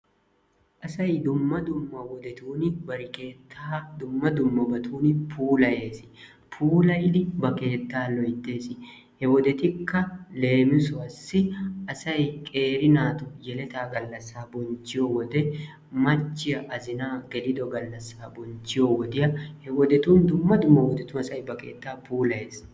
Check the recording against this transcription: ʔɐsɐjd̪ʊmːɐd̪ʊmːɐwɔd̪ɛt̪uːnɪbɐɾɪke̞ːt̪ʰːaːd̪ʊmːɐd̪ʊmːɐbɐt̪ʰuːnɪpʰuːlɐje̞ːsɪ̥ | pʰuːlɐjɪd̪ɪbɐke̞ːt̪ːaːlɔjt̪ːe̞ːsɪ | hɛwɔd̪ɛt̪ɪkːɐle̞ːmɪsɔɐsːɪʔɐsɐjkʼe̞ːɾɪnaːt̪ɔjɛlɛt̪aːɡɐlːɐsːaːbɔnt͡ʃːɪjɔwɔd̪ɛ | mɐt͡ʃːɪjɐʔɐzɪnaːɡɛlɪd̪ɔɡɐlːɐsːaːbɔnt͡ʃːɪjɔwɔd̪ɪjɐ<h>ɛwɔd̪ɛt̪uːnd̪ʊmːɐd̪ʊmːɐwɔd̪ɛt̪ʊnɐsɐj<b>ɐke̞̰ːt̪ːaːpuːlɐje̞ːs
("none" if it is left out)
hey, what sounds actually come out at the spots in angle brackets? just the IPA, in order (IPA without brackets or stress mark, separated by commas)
h, b